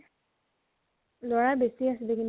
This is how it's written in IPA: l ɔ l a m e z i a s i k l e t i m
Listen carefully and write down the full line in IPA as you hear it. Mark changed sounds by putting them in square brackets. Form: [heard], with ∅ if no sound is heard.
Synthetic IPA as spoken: l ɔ [ɹ] a [b] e [s] i a s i [∅] l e [k] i [n]

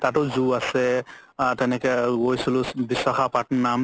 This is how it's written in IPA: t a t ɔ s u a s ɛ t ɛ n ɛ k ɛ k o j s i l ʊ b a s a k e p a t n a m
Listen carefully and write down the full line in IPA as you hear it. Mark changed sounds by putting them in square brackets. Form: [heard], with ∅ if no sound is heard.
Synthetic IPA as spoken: t a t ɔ [z] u a s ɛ t ɛ n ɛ k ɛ [ɡ] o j s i l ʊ b [i] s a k [a] p a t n a m

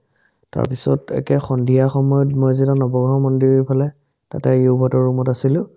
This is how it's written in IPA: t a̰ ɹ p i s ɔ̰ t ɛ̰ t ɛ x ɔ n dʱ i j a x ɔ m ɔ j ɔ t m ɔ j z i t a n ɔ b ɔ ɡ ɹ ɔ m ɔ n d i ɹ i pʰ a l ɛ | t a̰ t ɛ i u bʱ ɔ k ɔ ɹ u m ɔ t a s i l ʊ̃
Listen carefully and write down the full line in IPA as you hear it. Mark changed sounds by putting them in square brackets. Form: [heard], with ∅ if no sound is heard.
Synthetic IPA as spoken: t a̰ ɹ p i s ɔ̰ t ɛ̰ [k] ɛ x ɔ n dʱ i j a x ɔ m ɔ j ɔ t m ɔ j z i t a n ɔ b ɔ ɡ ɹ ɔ m ɔ n d i ɹ i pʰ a l ɛ | t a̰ t ɛ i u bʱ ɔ [t] ɔ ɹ u m ɔ t a s i l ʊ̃

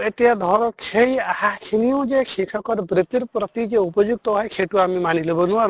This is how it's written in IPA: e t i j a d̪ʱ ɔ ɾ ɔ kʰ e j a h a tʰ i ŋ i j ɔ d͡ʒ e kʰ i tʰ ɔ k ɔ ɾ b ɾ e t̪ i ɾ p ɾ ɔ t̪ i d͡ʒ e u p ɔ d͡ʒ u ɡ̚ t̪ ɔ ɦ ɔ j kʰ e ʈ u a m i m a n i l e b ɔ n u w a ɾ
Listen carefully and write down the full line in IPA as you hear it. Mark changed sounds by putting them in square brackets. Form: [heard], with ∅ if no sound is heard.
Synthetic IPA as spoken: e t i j a d̪ʱ ɔ ɾ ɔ kʰ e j a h a [kʰ] i [n] i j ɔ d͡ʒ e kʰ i [kʰ] ɔ k ɔ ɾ b ɾ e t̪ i ɾ p ɾ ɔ t̪ i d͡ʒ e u p ɔ d͡ʒ u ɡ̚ t̪ ɔ ɦ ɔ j kʰ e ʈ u a m i m a n i l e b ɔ n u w a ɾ

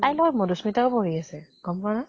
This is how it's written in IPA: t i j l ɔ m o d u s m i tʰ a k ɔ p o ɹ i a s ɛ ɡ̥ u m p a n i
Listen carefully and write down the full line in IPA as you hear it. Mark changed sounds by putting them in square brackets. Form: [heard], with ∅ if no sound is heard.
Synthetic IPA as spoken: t [a] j l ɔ m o d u s m i [t] a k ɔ p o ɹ i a s ɛ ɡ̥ [ɔ] m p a n [a]

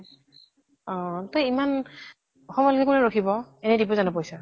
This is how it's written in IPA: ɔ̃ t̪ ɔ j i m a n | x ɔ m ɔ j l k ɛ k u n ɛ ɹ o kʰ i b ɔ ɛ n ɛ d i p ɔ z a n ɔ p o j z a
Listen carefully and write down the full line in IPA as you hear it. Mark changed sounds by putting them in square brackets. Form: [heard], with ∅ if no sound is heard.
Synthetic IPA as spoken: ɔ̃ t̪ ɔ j i m a n | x ɔ m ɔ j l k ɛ k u n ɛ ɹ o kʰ i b ɔ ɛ n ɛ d i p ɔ z a n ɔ p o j [s] a

